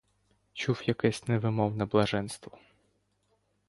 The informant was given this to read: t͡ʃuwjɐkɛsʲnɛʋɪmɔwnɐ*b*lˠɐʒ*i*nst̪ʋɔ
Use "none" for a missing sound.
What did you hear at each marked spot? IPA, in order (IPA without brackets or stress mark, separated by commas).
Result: b, ɛ